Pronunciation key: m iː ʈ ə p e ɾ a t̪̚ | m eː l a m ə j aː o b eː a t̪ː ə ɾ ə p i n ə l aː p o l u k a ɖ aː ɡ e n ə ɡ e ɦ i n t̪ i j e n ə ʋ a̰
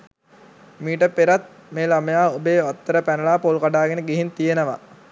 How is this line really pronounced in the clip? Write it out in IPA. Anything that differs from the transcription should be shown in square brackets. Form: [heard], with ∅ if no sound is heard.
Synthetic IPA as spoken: m iː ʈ ə p e ɾ a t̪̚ | m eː l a m ə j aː o b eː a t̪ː ə ɾ ə p [æ] n ə l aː p o l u k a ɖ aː ɡ e n ə ɡ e ɦ i n t̪ i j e n ə ʋ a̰